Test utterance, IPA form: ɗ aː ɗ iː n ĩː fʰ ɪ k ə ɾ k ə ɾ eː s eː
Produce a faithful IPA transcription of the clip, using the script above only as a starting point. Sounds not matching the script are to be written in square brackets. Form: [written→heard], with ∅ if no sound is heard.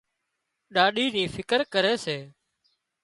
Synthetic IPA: ɗ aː ɗ iː n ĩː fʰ ɪ k ə ɾ k ə ɾ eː s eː